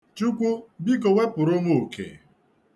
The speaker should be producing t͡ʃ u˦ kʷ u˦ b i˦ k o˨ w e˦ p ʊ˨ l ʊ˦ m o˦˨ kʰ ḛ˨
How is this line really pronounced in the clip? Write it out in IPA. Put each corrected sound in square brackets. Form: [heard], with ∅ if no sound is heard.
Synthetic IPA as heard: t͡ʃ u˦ kʷ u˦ b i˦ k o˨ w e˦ p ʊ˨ [ɾ] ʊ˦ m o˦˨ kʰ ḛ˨